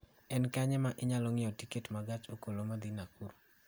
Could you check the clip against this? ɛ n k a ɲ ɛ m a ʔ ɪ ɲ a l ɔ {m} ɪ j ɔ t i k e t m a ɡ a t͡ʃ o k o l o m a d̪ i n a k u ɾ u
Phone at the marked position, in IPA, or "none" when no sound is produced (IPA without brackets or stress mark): ŋ